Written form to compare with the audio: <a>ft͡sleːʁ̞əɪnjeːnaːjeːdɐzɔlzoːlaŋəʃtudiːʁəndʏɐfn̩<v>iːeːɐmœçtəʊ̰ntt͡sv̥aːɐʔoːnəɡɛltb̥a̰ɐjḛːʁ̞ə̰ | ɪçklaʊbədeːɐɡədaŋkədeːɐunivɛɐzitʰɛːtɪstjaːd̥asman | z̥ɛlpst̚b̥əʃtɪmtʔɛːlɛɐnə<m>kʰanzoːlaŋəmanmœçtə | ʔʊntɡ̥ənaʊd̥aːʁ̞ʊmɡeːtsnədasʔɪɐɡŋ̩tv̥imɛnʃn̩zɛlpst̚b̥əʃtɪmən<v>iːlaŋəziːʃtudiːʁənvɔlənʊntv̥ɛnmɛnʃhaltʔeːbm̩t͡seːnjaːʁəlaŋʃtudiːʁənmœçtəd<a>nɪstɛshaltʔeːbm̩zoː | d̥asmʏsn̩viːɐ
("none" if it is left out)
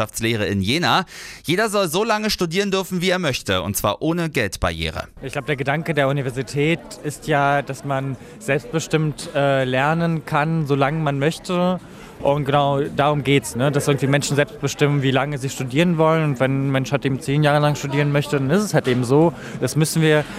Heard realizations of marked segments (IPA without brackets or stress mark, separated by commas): a, v, n, v, a